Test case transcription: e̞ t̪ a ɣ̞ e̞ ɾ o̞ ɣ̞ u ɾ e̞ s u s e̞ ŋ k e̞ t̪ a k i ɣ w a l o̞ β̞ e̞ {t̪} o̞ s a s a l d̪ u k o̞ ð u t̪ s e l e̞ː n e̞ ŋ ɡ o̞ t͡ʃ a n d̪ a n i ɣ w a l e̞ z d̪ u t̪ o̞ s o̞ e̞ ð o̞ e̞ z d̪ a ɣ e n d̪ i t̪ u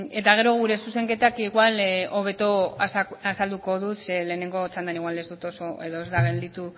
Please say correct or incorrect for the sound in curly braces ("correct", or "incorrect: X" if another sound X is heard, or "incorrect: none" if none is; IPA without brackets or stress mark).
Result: correct